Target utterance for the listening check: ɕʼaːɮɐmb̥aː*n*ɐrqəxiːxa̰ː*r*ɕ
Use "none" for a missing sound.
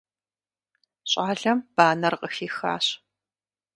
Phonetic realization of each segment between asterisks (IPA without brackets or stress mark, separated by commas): n, none